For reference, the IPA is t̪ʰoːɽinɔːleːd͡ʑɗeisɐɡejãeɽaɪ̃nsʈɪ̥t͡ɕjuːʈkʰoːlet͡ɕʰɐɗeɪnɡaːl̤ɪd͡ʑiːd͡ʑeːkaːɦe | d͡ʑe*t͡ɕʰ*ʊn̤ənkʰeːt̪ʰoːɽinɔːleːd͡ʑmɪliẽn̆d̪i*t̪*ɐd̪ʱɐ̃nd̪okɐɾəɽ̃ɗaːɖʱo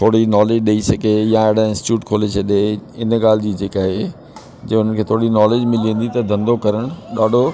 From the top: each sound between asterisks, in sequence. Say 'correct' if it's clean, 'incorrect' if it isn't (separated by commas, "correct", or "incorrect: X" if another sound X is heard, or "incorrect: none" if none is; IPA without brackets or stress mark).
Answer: incorrect: none, correct